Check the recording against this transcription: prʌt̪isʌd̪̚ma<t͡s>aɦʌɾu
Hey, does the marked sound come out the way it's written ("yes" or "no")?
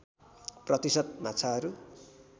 no